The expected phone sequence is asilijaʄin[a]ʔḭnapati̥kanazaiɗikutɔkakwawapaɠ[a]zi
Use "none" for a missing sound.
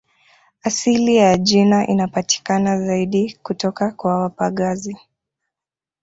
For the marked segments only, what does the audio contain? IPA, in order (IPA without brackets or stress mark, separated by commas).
a, a